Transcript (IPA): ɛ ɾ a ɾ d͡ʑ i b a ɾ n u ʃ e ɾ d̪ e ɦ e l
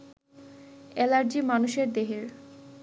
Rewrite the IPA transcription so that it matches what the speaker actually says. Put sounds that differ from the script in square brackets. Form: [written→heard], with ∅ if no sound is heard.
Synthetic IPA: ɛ [ɾ→l] a ɾ d͡ʑ i [b→m] a [ɾ→∅] n u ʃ e ɾ d̪ e ɦ e [l→ɾ]